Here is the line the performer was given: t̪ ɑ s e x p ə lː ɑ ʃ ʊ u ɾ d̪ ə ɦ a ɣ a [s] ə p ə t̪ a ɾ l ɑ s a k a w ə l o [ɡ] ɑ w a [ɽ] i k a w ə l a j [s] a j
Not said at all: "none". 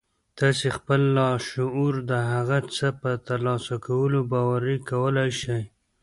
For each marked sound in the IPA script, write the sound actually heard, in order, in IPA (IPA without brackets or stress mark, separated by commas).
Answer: t͡s, b, ɾ, ʃ